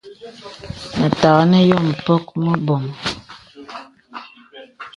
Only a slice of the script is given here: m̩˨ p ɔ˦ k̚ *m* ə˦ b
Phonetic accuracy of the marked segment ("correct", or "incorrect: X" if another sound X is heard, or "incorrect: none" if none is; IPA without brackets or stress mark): correct